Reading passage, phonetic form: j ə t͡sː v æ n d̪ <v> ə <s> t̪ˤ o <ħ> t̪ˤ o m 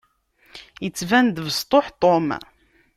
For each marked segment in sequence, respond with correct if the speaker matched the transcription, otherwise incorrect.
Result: correct, correct, correct

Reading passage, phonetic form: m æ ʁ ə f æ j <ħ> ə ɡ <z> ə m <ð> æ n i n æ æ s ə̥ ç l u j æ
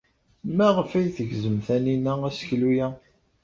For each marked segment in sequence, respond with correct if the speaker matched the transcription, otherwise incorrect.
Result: incorrect: θ, correct, incorrect: θ

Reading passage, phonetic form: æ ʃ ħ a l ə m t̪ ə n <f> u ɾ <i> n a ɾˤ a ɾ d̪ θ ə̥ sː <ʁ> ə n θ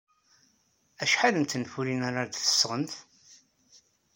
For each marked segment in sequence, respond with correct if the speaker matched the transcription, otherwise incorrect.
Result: correct, correct, correct

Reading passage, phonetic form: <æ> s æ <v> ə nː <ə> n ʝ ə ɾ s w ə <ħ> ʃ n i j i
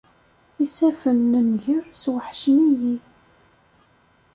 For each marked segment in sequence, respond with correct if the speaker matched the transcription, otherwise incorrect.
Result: incorrect: i, incorrect: f, correct, correct

